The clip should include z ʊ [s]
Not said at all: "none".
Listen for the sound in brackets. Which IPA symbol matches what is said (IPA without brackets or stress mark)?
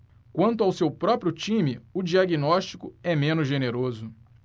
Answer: none